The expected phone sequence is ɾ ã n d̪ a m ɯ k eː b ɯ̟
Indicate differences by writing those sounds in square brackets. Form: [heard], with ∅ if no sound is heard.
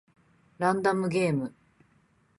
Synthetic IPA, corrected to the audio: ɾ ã n d̪ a m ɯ [ɡ] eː [m] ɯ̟